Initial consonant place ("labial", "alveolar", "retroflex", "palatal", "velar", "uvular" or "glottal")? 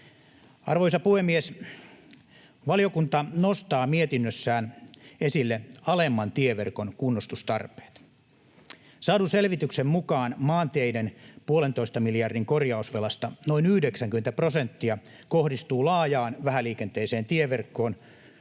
alveolar